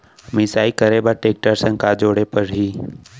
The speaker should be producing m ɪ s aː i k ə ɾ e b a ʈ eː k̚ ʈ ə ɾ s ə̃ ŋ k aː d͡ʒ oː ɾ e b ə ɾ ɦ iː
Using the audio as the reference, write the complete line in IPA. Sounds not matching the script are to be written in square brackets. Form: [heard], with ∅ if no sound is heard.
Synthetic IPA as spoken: m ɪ s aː i k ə ɾ e b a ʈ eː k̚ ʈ ə ɾ s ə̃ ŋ k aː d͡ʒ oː [ɽ] e [p] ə ɾ ɦ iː